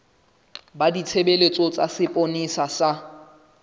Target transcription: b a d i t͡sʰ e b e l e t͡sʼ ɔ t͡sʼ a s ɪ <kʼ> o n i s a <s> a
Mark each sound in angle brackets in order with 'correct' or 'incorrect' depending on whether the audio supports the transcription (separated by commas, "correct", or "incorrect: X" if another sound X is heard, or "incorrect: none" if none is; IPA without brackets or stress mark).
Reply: incorrect: pʼ, correct